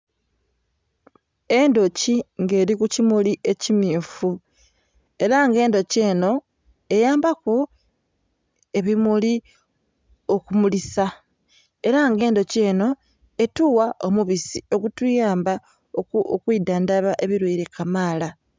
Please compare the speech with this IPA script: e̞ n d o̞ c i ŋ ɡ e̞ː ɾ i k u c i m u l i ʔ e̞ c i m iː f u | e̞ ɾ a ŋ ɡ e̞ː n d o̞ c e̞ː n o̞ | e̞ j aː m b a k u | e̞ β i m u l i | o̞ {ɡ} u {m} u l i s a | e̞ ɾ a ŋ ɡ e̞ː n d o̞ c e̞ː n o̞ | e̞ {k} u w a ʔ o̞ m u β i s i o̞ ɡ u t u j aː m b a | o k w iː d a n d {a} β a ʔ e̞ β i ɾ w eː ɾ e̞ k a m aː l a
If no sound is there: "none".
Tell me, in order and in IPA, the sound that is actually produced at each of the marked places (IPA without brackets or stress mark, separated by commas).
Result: k, m, t, a